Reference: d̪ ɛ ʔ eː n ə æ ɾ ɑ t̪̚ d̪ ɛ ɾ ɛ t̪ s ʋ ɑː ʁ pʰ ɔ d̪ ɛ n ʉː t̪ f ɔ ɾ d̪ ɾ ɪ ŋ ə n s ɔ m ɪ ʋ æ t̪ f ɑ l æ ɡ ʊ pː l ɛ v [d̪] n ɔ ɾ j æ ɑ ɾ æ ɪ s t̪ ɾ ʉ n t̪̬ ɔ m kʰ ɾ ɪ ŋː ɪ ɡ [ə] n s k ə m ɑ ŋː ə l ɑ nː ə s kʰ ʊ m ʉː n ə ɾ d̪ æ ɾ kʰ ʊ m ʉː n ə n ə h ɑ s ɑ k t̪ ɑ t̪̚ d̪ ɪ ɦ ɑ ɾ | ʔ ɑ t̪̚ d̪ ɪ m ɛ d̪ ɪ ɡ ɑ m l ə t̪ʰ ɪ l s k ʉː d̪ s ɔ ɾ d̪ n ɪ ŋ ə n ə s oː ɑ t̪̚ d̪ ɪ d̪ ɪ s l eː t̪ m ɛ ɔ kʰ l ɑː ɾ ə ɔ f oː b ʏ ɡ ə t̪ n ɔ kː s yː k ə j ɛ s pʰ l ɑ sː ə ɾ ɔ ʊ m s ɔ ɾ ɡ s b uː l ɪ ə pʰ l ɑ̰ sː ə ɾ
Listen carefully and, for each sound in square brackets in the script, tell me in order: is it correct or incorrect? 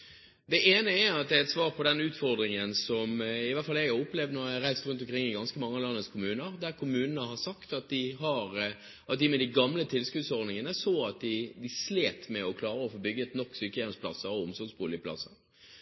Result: correct, incorrect

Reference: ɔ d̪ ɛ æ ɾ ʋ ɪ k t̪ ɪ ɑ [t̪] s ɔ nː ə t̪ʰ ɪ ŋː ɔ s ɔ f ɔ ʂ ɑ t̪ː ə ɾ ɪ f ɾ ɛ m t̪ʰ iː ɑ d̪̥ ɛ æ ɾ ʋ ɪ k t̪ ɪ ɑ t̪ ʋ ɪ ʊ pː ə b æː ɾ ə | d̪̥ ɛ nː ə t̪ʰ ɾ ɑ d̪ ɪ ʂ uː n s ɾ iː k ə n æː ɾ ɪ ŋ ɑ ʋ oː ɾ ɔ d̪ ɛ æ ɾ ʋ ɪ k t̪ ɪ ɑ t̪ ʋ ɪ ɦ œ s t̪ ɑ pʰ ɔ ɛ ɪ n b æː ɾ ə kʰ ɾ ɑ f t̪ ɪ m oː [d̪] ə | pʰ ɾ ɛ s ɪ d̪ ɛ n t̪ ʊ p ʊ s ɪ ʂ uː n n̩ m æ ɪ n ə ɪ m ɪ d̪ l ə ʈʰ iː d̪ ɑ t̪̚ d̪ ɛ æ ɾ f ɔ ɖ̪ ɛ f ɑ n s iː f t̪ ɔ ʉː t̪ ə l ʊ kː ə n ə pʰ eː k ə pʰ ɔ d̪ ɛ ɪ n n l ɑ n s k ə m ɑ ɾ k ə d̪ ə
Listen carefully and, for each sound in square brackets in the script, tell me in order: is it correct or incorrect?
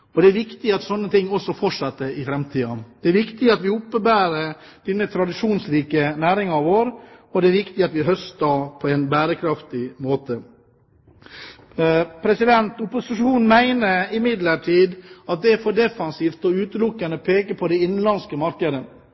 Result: correct, incorrect

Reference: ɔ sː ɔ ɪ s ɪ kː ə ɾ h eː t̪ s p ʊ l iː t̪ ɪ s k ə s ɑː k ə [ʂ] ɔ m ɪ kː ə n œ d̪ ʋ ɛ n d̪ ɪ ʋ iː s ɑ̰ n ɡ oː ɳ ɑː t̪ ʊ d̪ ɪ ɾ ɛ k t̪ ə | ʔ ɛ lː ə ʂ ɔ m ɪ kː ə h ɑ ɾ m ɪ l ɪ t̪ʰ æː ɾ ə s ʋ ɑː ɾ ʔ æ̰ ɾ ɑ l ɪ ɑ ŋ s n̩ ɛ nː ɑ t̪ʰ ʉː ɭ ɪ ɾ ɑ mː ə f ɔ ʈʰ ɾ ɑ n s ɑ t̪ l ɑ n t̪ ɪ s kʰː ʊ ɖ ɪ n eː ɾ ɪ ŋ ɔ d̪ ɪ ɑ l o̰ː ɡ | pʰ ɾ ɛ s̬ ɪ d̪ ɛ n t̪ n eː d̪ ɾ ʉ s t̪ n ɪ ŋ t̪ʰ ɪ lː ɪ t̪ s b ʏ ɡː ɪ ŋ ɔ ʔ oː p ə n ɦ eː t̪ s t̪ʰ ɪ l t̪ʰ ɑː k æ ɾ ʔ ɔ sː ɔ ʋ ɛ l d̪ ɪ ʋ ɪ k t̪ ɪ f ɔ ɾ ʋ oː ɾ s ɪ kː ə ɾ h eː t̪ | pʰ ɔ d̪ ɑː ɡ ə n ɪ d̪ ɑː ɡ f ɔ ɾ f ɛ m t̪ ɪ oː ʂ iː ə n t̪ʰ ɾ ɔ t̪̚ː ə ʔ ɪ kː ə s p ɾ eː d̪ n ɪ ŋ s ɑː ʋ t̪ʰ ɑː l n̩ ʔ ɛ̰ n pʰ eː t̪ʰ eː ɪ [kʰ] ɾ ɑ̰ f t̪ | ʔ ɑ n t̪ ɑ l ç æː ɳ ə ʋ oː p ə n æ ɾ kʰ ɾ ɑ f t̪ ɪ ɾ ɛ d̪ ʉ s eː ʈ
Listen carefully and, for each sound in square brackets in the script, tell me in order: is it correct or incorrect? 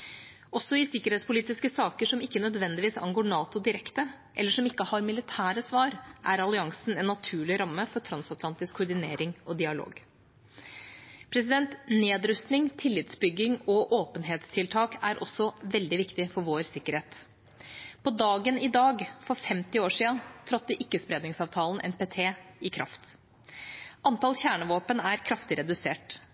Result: correct, correct

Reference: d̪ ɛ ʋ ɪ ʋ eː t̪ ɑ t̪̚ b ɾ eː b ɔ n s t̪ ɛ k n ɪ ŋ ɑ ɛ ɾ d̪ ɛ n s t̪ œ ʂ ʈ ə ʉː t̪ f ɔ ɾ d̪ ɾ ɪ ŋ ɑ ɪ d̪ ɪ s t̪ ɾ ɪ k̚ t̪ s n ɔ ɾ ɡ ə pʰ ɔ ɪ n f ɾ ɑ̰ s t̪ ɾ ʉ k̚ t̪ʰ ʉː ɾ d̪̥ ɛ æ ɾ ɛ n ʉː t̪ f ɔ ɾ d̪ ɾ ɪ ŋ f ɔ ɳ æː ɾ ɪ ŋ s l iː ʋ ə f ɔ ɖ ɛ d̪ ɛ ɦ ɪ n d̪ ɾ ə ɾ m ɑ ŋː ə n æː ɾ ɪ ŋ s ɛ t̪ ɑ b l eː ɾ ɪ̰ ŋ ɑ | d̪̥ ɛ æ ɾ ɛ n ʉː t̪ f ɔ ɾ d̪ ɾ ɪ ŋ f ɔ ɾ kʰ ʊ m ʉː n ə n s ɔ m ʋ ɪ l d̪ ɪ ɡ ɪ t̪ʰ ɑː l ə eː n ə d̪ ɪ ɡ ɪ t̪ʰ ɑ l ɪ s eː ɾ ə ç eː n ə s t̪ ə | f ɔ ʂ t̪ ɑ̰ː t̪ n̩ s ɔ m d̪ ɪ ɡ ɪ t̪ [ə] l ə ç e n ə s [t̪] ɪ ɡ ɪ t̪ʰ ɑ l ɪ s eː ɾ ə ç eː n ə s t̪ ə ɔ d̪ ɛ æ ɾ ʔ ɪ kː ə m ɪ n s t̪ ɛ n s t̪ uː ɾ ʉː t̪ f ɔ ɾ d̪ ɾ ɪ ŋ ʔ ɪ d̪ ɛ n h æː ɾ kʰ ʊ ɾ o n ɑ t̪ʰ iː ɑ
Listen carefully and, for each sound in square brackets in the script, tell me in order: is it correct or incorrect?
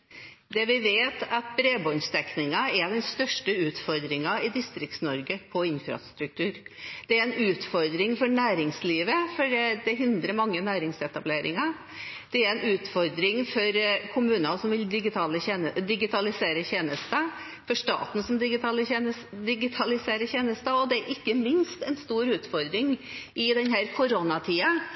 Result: incorrect, incorrect

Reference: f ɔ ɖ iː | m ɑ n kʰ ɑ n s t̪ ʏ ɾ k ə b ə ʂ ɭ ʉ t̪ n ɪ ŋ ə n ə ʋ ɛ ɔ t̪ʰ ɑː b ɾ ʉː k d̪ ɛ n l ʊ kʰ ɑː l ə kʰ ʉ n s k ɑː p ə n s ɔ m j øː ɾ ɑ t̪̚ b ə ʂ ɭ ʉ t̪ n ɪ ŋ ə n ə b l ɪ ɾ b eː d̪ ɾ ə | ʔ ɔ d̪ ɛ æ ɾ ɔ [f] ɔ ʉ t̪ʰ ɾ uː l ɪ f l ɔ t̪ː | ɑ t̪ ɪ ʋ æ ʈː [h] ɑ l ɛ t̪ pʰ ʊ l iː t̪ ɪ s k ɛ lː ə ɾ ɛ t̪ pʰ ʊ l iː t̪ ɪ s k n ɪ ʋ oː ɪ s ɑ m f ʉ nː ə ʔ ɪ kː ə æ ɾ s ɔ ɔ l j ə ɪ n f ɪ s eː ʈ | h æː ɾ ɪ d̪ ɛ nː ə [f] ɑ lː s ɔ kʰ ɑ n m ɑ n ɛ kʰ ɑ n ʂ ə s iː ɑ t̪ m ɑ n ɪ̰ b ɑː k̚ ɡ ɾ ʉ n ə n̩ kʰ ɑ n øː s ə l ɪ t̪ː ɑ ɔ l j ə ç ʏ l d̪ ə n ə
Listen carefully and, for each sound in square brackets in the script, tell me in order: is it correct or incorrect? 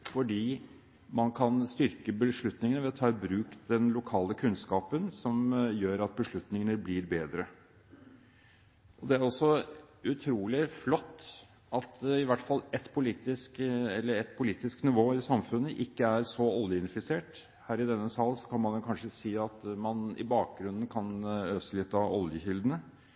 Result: incorrect, incorrect, incorrect

